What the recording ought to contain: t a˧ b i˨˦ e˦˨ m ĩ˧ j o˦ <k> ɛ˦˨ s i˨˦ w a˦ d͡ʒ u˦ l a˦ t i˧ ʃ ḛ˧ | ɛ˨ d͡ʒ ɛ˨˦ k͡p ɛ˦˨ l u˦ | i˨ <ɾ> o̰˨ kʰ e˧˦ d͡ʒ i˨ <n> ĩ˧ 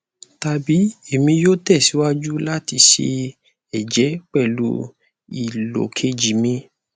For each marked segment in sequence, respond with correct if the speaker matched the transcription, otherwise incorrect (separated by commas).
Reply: incorrect, incorrect, incorrect